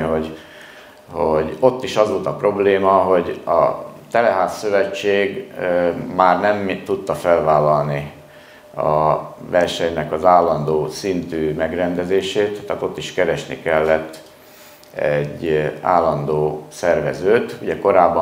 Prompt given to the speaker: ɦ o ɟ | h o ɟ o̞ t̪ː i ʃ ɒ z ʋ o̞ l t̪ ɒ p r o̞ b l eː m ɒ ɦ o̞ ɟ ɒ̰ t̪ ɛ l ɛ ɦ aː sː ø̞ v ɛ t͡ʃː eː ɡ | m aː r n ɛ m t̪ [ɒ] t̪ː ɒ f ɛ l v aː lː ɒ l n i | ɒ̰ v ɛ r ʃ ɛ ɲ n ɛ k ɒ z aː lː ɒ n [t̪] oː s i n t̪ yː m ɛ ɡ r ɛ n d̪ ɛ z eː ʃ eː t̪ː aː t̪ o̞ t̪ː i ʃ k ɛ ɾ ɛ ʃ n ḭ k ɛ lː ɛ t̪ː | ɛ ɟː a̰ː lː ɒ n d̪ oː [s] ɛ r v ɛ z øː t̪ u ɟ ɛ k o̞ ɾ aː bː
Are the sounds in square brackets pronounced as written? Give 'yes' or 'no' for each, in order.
no, no, yes

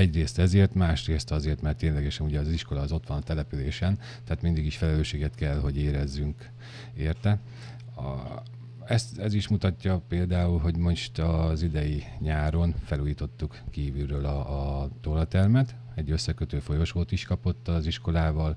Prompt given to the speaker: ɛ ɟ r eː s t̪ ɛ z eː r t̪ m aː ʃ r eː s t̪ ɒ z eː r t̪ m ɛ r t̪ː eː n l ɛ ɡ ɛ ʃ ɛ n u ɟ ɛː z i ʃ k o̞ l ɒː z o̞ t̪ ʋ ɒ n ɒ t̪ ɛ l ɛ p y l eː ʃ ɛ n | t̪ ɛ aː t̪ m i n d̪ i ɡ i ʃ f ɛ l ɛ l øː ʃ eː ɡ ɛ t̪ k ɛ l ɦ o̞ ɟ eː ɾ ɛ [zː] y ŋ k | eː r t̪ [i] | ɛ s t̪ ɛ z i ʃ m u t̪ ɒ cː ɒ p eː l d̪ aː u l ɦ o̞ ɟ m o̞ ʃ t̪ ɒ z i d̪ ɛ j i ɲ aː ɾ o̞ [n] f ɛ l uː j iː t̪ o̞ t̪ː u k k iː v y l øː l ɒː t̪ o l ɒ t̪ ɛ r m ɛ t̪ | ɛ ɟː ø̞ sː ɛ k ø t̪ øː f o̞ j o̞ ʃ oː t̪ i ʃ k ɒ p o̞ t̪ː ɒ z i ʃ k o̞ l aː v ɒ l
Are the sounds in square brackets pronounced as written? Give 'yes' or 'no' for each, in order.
yes, no, yes

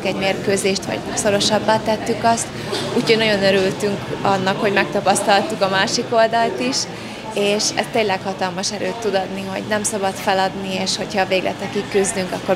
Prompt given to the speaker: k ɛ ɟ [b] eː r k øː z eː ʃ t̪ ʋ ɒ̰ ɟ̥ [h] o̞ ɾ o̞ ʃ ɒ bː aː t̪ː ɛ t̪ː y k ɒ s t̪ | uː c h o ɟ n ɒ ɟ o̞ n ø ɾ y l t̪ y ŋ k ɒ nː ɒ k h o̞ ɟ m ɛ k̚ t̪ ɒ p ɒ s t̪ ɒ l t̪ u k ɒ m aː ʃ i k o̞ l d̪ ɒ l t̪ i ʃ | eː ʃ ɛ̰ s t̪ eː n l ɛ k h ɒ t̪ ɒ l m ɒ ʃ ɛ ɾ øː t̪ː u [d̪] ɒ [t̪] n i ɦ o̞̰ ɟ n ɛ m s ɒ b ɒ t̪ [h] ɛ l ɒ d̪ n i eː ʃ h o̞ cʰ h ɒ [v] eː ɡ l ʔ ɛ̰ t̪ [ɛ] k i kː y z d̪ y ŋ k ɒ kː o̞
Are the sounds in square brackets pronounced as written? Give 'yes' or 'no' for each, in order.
no, no, yes, no, no, yes, yes

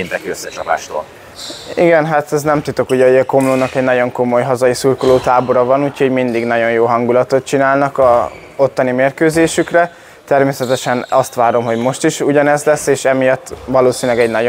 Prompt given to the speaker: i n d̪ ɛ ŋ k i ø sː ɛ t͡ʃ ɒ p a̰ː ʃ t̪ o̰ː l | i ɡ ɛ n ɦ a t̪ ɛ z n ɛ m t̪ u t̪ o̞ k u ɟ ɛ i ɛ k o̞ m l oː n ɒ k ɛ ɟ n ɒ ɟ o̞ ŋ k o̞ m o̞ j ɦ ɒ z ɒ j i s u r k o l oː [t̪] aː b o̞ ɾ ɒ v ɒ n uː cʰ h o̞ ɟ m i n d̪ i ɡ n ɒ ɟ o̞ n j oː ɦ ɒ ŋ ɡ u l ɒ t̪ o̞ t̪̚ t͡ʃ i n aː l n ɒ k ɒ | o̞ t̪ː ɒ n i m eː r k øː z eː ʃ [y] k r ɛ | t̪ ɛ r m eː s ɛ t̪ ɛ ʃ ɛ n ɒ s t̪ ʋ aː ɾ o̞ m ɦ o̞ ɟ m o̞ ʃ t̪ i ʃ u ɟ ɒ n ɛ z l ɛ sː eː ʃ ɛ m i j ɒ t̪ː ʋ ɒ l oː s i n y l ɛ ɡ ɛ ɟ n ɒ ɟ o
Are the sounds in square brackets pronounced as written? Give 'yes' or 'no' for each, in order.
yes, yes

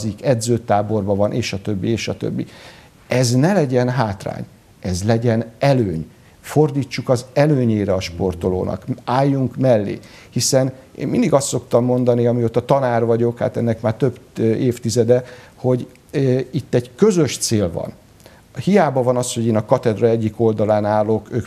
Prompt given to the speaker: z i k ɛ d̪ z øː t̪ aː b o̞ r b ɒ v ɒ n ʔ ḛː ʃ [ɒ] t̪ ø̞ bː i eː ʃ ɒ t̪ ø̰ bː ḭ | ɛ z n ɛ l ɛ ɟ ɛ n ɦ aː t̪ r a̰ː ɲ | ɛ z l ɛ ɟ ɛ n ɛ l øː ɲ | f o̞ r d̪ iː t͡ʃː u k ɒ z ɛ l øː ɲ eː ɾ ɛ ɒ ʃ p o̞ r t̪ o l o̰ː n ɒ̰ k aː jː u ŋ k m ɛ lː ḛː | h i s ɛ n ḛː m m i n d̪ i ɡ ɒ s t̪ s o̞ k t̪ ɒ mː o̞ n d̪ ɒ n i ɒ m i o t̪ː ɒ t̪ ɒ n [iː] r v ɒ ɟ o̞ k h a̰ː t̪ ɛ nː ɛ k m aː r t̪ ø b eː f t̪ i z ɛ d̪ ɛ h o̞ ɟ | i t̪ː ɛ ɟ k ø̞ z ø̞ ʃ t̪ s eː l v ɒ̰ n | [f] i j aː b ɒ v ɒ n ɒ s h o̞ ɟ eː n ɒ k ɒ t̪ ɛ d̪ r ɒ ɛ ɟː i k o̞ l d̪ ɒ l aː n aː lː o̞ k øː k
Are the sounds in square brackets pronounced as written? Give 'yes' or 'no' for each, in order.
yes, no, no

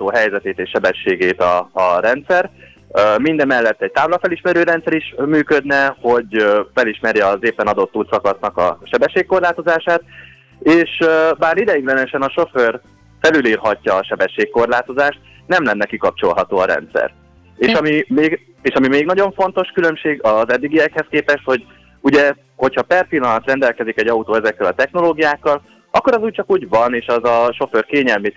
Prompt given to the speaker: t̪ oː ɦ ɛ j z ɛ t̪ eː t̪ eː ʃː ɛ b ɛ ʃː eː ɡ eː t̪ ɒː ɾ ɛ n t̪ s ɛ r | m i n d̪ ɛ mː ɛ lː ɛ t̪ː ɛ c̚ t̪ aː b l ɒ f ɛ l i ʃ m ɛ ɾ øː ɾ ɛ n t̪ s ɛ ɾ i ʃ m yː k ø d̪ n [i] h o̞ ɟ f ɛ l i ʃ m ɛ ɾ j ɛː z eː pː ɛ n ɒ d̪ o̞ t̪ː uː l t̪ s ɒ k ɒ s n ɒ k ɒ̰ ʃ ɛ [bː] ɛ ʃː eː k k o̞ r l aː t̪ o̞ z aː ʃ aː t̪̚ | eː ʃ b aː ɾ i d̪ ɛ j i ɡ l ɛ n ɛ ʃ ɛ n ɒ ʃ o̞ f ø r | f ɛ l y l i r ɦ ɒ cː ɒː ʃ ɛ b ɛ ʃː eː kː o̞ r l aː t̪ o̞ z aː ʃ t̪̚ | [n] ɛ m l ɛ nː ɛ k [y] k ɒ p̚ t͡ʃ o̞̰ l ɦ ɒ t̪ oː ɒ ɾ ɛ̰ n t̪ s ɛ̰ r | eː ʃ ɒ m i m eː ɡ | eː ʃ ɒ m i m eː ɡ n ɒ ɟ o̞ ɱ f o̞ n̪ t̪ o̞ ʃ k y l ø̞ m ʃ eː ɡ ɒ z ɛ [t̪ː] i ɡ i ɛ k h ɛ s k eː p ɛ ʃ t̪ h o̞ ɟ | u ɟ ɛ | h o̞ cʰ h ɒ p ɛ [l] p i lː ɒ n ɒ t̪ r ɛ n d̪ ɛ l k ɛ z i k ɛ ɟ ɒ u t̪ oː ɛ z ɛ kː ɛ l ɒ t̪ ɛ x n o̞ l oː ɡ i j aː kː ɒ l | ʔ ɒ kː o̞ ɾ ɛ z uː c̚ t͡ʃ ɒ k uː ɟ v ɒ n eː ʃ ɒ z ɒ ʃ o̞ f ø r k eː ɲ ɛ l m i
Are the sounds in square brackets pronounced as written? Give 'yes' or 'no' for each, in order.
no, no, yes, no, no, no

